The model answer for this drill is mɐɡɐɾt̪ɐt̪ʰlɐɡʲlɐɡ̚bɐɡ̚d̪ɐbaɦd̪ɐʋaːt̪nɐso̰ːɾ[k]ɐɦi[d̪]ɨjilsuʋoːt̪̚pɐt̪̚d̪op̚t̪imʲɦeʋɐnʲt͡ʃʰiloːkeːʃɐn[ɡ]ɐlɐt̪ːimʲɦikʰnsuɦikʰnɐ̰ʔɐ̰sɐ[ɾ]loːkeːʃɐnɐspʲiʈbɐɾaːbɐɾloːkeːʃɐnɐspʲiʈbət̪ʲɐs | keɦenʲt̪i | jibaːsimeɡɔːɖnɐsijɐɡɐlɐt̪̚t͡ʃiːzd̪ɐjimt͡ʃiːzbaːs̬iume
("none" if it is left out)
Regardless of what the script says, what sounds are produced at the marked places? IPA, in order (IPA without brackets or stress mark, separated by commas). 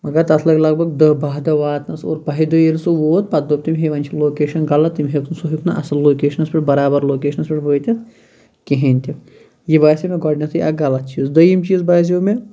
p, d̪, ɡ, l